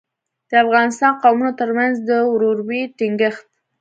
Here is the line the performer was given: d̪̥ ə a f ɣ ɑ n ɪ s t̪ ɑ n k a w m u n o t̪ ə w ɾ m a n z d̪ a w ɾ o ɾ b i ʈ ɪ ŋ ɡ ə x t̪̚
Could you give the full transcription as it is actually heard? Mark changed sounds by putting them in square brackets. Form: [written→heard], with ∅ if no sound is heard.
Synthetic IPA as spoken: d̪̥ ə a f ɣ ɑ n ɪ s t̪ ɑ n [k→q] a w m u n o t̪ ə [w→∅] ɾ m a n z d̪ [a→ə] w ɾ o ɾ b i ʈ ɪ ŋ ɡ ə x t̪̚